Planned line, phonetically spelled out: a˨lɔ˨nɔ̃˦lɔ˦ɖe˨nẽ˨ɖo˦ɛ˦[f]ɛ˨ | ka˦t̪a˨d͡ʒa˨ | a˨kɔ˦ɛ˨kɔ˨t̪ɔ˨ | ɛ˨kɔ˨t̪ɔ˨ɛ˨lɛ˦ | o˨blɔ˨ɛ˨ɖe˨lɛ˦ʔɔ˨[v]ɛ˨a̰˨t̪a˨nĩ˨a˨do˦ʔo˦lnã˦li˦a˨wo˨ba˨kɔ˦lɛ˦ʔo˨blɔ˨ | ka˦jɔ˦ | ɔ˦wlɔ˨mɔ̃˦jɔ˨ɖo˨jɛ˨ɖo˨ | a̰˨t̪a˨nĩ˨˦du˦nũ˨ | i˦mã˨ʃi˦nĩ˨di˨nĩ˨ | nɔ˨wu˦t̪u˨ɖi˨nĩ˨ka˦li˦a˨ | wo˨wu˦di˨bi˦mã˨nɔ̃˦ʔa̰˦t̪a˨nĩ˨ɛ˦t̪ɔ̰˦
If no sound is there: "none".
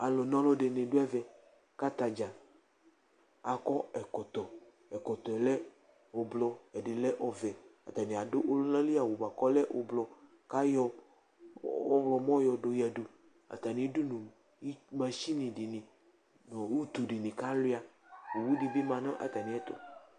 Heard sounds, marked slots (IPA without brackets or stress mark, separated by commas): v, v